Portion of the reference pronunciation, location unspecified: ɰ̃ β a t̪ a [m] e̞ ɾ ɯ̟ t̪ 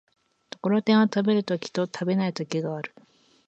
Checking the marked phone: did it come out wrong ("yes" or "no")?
yes